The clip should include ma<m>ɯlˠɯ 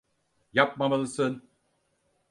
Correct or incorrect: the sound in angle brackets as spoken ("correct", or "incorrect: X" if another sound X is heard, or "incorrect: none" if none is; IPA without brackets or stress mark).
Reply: correct